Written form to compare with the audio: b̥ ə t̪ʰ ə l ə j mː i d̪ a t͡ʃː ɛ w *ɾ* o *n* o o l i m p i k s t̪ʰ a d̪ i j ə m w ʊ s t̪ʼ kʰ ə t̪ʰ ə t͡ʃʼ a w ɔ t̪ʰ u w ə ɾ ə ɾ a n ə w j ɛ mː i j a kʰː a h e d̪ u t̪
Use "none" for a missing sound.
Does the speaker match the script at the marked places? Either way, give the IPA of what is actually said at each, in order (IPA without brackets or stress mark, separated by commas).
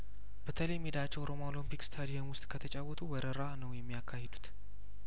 ɾ, m